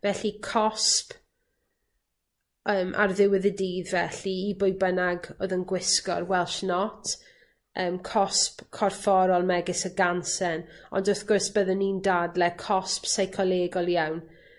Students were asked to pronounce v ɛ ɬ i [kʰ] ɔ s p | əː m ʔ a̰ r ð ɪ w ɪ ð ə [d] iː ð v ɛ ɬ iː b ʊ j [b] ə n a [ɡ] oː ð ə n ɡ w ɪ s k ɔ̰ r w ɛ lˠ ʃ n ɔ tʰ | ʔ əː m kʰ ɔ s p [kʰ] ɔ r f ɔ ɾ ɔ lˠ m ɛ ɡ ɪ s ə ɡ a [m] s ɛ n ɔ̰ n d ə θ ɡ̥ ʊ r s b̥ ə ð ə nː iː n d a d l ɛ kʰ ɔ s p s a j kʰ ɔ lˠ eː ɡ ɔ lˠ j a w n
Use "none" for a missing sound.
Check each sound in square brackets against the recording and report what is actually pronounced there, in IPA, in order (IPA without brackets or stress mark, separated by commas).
kʰ, d, b, ɡ, kʰ, n